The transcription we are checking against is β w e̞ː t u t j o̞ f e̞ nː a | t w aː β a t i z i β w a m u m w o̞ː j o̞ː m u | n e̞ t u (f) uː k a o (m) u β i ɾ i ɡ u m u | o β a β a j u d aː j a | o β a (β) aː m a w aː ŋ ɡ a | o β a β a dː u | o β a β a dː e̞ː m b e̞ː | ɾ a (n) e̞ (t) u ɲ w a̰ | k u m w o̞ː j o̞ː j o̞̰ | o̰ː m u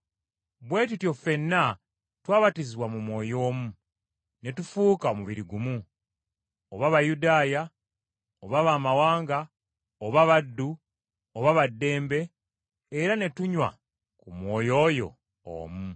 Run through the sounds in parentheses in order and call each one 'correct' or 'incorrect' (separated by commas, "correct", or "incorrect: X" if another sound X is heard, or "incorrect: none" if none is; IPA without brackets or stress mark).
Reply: correct, correct, correct, correct, correct